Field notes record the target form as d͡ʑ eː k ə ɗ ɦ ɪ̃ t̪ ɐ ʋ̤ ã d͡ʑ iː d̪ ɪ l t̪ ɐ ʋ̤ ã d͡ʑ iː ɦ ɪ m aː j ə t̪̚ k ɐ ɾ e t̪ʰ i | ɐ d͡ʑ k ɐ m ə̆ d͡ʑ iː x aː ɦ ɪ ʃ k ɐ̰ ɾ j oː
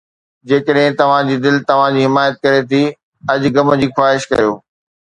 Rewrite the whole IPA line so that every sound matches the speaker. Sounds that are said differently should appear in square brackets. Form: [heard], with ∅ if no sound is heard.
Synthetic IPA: d͡ʑ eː k ə ɗ ɦ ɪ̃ t̪ ɐ ʋ̤ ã d͡ʑ iː d̪ ɪ l t̪ ɐ ʋ̤ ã d͡ʑ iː ɦ ɪ m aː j ə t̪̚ k ɐ ɾ e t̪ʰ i | ɐ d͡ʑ [ɡ] ɐ m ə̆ d͡ʑ iː x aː ɦ ɪ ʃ k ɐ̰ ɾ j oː

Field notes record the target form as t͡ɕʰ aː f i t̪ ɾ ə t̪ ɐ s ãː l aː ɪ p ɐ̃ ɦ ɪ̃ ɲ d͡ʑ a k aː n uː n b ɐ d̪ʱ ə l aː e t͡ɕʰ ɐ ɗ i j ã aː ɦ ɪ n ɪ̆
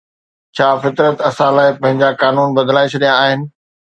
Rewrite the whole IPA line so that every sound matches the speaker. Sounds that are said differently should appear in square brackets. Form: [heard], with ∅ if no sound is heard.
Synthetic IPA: t͡ɕʰ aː f [ɪ] t̪ ɾ ə t̪ ɐ s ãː l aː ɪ p ɐ̃ ɦ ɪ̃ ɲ d͡ʑ a k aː n uː n b ɐ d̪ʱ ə l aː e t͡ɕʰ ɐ ɗ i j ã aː ɦ ɪ n ɪ̆

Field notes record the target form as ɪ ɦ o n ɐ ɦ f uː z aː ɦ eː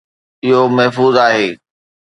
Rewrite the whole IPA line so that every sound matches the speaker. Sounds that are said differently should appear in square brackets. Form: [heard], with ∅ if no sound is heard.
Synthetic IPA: ɪ ɦ o [m] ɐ ɦ f uː z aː ɦ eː

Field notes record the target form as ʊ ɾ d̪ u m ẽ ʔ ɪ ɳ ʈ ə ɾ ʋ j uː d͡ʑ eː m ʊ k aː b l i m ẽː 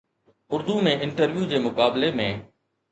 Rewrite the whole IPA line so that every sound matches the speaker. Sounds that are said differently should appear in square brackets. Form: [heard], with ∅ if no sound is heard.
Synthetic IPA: ʊ ɾ d̪ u m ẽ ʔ ɪ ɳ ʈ ə ɾ ʋ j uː d͡ʑ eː m ʊ k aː b l [e] m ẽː

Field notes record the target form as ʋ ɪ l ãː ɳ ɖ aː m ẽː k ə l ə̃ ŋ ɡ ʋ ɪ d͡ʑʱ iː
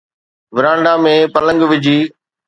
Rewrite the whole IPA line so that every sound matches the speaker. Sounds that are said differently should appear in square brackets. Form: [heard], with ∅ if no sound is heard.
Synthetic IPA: ʋ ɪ [ɾ] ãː ɳ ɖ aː m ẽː [p] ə l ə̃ ŋ ɡ ʋ ɪ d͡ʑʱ iː

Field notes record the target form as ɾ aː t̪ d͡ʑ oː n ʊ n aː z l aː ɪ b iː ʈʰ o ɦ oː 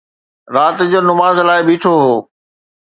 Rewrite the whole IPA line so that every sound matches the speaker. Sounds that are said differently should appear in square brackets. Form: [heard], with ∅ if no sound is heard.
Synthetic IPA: ɾ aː t̪ d͡ʑ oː n ʊ [m] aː z l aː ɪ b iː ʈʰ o ɦ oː

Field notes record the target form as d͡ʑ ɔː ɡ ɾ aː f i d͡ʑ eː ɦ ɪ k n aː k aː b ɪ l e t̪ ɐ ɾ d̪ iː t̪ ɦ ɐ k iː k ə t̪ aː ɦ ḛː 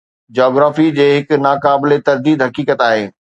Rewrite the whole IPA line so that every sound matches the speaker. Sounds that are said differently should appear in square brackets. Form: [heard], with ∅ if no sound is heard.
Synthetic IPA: d͡ʑ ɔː ɡ ɾ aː f i d͡ʑ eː ɦ ɪ k n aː k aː b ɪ l e t̪ ɐ ɾ d̪ iː [d̪] ɦ ɐ k iː k ə t̪ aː ɦ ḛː

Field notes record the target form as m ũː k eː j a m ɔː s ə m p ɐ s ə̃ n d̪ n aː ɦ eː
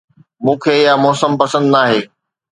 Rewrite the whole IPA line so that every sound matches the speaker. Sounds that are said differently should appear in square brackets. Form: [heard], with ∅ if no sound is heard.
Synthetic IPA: m ũː [kʰ] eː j a m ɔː s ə m p ɐ s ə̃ n d̪ n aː ɦ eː

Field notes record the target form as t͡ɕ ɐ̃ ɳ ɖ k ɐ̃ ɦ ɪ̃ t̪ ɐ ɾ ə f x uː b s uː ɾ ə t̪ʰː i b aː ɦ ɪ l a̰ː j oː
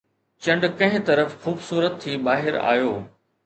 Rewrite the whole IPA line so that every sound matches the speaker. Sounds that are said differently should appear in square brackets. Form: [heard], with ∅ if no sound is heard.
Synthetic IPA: t͡ɕ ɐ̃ ɳ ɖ k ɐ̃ ɦ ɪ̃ t̪ ɐ ɾ ə f x uː b s uː ɾ ə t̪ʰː i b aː ɦ ɪ [ɾ] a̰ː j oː

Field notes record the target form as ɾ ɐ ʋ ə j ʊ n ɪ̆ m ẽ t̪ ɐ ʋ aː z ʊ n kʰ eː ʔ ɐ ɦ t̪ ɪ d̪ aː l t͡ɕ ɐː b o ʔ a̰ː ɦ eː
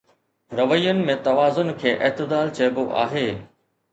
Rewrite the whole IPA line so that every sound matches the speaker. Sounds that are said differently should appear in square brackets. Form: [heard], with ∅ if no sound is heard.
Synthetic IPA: ɾ ɐ ʋ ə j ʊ n ɪ̆ m ẽ t̪ ɐ ʋ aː z ʊ n kʰ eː ʔ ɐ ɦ t̪ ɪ d̪ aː l t͡ɕ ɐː b o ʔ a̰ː ɦ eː

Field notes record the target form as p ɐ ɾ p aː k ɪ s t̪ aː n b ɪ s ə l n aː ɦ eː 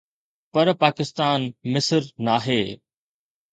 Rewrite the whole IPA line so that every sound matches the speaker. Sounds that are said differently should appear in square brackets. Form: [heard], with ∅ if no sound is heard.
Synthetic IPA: p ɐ ɾ p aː k ɪ s t̪ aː n [m] ɪ s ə [ɾ] n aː ɦ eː

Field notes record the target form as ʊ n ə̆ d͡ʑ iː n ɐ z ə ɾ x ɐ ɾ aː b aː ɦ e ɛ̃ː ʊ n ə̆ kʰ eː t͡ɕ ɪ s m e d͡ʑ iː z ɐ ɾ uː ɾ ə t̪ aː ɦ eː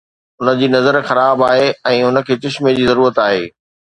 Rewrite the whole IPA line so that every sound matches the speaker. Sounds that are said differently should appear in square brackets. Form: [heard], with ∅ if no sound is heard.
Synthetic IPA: ʊ n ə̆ d͡ʑ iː n ɐ z ə ɾ x ɐ ɾ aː b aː ɦ e ɛ̃ː ʊ n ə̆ kʰ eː t͡ɕ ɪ [ʃ] m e d͡ʑ iː z ɐ ɾ uː ɾ ə t̪ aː ɦ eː

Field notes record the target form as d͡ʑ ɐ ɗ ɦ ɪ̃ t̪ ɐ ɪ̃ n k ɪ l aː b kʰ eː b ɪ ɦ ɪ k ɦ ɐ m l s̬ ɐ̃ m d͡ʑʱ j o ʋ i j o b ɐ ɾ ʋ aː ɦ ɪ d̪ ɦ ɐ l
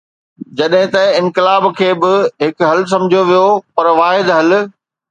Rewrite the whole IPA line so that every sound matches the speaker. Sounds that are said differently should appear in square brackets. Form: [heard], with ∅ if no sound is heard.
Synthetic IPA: d͡ʑ ɐ ɗ ɦ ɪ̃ t̪ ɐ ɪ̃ n k ɪ l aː b kʰ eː b ɪ ɦ ɪ k ɦ ɐ [∅] l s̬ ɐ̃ m d͡ʑʱ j o ʋ i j o [p] ɐ ɾ ʋ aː ɦ ɪ d̪ ɦ ɐ l

